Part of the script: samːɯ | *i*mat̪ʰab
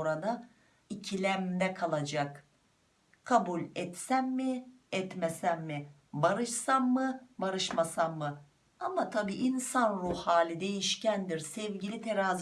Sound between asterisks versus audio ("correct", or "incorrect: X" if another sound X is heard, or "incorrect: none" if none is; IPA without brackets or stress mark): incorrect: a